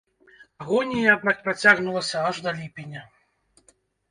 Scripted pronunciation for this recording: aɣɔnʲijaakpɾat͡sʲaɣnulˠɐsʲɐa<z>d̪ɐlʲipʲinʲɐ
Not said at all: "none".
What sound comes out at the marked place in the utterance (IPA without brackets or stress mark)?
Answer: ʐ